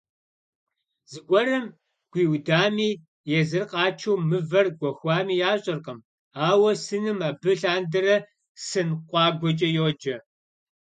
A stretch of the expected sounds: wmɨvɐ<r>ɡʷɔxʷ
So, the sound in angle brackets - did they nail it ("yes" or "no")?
yes